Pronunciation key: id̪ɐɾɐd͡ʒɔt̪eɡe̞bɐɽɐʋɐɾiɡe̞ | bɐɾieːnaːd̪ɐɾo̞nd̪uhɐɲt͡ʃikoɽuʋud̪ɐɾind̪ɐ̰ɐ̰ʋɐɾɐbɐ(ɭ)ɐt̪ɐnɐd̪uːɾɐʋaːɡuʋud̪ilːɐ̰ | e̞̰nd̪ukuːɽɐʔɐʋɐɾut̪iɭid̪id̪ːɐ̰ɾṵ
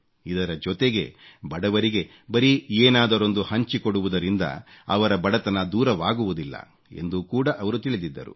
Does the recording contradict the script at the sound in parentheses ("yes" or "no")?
yes